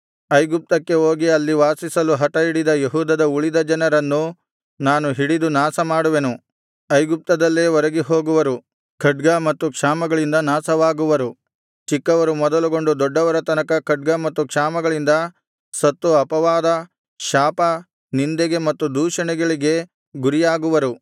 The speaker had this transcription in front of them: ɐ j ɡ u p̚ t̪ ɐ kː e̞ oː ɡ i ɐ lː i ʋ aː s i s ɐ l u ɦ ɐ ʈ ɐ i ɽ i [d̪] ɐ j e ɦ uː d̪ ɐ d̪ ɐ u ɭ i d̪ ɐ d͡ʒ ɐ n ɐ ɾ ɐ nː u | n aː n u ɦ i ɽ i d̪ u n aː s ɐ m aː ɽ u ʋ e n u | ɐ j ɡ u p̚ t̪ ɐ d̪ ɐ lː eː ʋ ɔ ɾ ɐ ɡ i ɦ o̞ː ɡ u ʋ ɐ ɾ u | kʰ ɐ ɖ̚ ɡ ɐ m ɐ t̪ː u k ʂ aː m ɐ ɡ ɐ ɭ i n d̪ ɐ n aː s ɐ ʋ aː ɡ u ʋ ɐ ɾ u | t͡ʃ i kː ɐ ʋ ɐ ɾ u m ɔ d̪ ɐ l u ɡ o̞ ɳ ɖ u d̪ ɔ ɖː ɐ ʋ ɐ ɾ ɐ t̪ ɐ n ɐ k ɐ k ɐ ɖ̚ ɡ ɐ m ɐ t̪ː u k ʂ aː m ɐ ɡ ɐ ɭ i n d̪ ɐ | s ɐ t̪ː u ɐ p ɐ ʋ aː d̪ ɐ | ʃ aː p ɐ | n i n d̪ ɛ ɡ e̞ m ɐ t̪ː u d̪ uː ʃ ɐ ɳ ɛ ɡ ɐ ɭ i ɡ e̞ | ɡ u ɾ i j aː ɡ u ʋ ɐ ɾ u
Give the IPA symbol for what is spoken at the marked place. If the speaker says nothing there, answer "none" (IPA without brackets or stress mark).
d̪